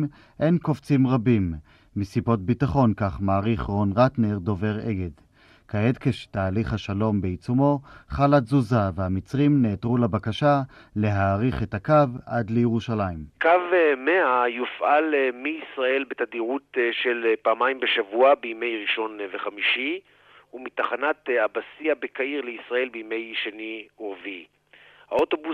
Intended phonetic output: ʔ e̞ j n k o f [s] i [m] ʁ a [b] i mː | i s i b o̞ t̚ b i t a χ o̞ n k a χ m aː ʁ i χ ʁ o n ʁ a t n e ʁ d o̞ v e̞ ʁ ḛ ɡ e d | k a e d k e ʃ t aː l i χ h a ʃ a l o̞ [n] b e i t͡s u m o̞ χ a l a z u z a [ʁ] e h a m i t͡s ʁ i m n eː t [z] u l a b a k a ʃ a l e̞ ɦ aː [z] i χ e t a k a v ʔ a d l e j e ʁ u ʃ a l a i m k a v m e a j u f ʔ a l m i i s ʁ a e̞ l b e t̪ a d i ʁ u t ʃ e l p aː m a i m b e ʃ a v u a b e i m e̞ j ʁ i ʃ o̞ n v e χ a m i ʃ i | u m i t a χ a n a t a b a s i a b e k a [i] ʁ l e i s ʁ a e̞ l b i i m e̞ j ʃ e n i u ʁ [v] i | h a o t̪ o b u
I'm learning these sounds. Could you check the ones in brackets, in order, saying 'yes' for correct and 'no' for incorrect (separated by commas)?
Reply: no, yes, yes, no, no, no, no, yes, yes